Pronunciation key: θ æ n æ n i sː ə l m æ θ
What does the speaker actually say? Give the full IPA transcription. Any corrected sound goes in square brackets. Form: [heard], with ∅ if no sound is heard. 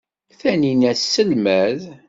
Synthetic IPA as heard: θ æ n [i] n [æ] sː ə l m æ [ð]